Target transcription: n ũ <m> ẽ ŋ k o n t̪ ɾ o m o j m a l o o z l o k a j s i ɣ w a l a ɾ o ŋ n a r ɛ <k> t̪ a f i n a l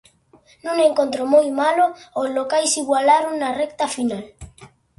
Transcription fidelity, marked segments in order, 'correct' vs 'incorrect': incorrect: ŋ, correct

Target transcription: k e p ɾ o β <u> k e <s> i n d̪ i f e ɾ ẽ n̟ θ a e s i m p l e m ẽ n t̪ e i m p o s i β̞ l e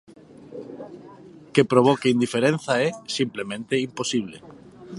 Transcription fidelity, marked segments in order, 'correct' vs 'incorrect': incorrect: o, incorrect: none

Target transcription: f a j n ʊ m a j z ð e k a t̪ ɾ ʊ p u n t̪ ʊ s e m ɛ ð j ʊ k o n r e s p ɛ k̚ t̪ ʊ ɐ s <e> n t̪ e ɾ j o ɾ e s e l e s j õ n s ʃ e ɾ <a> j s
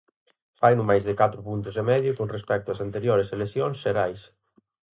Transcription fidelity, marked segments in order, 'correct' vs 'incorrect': incorrect: a, correct

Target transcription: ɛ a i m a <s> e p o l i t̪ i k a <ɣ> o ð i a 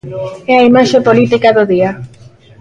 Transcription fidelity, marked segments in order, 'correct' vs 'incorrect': incorrect: ʃ, incorrect: ð

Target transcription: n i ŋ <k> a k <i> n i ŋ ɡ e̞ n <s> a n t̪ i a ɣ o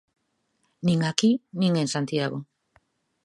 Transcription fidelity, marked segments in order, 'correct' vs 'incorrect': incorrect: ɡ, correct, correct

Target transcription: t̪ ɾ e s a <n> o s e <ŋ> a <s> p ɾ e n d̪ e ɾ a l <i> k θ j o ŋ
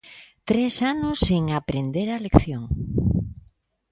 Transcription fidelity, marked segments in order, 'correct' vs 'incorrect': correct, correct, incorrect: none, incorrect: e

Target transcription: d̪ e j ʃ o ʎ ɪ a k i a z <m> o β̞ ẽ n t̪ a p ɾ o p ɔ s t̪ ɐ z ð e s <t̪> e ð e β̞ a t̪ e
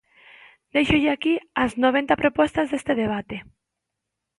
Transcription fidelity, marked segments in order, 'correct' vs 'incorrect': incorrect: n, correct

